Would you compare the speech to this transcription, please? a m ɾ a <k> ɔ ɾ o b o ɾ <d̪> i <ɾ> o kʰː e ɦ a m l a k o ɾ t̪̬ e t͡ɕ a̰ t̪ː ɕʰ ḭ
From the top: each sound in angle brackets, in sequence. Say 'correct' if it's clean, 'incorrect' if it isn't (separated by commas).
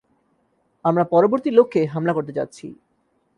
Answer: incorrect, incorrect, incorrect